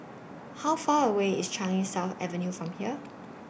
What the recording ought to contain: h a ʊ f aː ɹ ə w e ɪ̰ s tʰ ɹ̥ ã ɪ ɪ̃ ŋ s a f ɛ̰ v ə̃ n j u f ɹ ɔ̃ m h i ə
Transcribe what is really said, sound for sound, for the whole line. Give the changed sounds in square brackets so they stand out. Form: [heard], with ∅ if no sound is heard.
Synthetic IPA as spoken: h a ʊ f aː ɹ ə w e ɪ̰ s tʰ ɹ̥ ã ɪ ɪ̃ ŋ s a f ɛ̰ v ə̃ n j u f ɹ ɔ̃ m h i ə